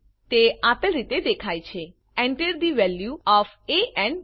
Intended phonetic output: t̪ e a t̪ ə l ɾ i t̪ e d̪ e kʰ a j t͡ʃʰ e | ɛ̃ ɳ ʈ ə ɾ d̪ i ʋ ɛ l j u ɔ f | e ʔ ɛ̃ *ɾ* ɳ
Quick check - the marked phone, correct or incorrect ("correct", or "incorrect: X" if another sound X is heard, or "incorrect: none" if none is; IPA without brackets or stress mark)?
incorrect: none